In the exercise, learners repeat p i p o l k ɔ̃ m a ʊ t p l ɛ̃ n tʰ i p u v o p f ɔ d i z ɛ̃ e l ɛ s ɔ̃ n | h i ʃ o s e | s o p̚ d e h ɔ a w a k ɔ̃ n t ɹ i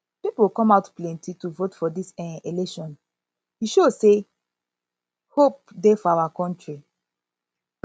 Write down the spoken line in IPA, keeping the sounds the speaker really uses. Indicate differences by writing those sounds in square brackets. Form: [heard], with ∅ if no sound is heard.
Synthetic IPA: p i p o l k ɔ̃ m a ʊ t p l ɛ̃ n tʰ i [t] u v o [t] f ɔ d i [s] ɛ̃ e l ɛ [ʃ] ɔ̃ n | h i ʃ o s e | [h] o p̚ d e [f] ɔ a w a k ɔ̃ n t ɹ i